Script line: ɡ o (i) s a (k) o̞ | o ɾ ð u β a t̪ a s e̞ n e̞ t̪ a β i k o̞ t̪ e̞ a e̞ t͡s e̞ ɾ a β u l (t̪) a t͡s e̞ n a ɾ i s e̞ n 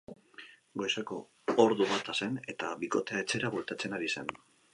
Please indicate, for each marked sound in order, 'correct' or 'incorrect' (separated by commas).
incorrect, correct, correct